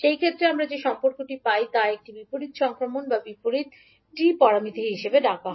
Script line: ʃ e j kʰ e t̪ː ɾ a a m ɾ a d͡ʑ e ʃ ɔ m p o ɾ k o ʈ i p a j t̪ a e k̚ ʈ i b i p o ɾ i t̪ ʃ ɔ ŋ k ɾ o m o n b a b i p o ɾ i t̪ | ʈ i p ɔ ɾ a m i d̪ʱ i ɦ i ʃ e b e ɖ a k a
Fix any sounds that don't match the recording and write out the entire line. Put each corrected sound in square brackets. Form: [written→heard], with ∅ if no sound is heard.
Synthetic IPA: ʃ e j kʰ e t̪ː ɾ [a→e] a m ɾ a d͡ʑ e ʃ ɔ m p o ɾ k o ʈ i p a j t̪ a e k̚ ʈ i b i p o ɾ i t̪ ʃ ɔ ŋ k ɾ o m o n b a b i p o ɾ i t̪ | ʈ i p ɔ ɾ a m i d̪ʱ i ɦ i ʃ e b e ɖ a k a